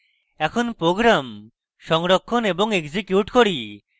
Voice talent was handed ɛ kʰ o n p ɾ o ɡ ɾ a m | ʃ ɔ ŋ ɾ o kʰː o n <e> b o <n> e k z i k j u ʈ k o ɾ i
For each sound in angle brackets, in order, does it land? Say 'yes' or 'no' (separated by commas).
yes, no